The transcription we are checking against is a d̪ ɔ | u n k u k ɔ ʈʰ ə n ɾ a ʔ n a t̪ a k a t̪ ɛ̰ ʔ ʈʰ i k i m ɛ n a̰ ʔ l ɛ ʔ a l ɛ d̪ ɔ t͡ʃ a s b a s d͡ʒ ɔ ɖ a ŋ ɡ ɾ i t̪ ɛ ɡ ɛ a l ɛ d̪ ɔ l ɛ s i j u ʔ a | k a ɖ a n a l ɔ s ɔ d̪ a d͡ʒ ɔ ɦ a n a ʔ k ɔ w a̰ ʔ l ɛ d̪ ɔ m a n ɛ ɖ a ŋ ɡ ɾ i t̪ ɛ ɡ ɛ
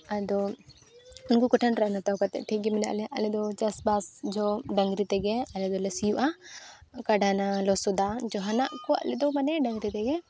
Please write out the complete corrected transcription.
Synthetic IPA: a d̪ ɔ | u n k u k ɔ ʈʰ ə n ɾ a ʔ n a t̪ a k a t̪ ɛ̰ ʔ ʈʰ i ɡ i m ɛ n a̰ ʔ l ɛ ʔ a l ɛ d̪ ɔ t͡ʃ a s b a s d͡ʒ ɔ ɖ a ŋ ɡ ɾ i t̪ ɛ ɡ ɛ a l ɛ d̪ ɔ l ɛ s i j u ʔ a | k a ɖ a n a l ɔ s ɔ d̪ a d͡ʒ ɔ ɦ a n a ʔ k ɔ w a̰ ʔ l ɛ d̪ ɔ m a n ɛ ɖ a ŋ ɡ ɾ i t̪ ɛ ɡ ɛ